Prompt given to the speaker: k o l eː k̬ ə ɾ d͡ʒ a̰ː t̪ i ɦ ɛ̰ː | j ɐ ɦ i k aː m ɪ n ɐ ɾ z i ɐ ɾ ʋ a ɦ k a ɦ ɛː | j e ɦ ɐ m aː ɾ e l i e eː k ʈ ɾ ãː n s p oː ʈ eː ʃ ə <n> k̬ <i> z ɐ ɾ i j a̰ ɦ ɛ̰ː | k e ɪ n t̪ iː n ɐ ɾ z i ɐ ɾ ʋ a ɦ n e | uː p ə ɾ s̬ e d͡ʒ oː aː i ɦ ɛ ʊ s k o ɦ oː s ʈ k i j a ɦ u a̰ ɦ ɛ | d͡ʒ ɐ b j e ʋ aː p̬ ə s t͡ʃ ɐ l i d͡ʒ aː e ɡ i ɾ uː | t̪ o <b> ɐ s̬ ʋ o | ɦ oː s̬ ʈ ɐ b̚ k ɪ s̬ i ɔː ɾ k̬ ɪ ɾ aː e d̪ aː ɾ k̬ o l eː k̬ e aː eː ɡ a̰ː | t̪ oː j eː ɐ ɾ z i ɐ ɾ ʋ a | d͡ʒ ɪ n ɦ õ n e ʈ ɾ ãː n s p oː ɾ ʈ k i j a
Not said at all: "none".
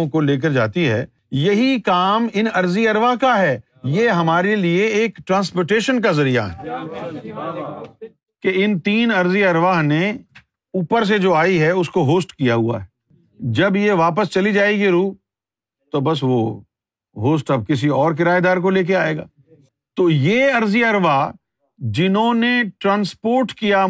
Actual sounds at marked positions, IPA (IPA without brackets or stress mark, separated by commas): n, a, b